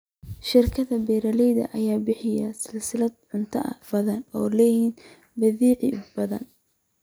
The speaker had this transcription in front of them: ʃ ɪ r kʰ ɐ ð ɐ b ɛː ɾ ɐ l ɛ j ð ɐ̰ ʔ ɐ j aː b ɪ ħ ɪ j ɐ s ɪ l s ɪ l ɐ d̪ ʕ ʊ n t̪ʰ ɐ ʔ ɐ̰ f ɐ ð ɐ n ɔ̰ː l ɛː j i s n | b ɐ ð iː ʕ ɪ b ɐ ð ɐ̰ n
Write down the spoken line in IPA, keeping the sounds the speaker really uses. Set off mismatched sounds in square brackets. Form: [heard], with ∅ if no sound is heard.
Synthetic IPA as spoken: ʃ ɪ r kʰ ɐ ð ɐ b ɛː ɾ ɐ l ɛ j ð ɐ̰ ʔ ɐ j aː b ɪ ħ ɪ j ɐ s ɪ l s ɪ l ɐ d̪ ʕ ʊ n t̪ʰ ɐ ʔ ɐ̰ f ɐ ð ɐ n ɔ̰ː l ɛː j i [∅] n | b ɐ ð iː ʕ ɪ b ɐ ð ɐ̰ n